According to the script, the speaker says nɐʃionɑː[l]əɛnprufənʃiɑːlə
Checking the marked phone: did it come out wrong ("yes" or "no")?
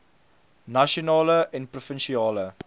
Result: no